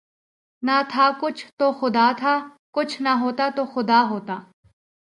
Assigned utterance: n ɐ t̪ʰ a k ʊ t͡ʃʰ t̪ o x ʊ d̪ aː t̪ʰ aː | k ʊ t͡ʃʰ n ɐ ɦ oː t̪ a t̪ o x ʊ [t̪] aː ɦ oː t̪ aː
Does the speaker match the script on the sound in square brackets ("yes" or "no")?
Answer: no